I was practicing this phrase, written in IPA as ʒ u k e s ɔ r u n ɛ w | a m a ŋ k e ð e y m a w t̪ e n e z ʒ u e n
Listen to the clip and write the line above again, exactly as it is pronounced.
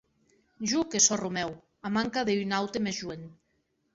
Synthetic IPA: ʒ u k e s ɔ r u m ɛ w | a m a ŋ k a ð e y n a w t̪ e m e z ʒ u e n